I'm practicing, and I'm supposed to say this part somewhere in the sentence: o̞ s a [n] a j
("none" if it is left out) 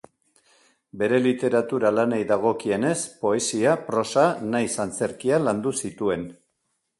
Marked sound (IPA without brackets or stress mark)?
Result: n